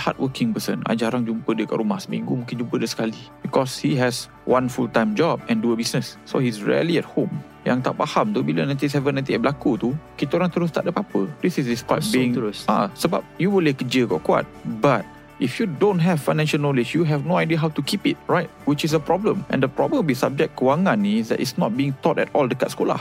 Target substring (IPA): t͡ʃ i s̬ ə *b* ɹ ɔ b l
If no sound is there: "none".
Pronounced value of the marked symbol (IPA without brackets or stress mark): p